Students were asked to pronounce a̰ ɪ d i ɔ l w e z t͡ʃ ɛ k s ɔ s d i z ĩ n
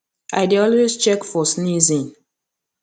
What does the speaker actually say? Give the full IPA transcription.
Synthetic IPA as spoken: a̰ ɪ d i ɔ l w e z t͡ʃ ɛ k f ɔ s n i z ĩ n